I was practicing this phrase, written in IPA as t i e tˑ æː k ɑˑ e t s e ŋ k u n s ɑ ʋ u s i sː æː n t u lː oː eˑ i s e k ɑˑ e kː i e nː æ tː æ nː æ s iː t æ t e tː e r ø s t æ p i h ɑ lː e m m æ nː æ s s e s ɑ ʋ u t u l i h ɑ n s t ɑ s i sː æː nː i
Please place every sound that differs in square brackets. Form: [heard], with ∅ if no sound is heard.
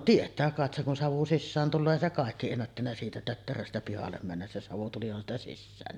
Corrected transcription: t i e tˑ æː k ɑˑ e t s e ŋ k u n s ɑ ʋ u s i sː æː n t u lː oː eˑ i s e k ɑˑ e kː i e nː æ tː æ nː æ s iː t æ t [ø] tː e r ø s t æ p i h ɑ lː e m m æ nː æ s s e s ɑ ʋ u t u l i h ɑ n s t ɑ s i sː æː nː i